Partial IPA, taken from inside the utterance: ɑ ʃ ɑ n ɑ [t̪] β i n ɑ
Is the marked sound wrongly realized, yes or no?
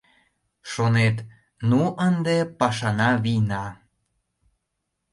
yes